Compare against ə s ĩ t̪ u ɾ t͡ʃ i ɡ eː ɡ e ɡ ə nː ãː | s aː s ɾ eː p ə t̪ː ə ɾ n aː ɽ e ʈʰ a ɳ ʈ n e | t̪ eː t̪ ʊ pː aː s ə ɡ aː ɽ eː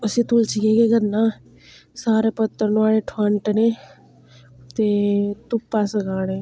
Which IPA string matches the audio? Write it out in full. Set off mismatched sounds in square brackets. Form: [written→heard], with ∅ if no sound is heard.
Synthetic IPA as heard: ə s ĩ t̪ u [ɾ→l] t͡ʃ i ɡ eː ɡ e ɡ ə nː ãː | s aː [s→∅] ɾ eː p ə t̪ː ə ɾ n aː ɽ e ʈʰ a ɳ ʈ n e | t̪ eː t̪ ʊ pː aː s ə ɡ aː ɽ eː